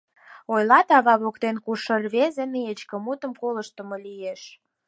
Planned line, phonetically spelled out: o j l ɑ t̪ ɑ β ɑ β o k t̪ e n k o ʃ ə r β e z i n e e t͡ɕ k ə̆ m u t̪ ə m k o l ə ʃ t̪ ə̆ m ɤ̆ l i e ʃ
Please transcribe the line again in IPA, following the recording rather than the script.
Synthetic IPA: o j l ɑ t̪ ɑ β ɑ β o k t̪ e n k u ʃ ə r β e z e n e e t͡ɕ k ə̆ m u t̪ ə m k o l ə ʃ t̪ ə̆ m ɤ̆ l i e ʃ